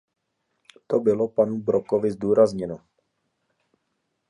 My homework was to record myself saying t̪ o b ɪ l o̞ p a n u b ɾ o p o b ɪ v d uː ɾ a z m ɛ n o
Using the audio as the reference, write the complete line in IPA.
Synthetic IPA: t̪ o b ɪ l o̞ p a n u b ɾ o k o v ɪ z d uː ɾ a z ɲ ɛ n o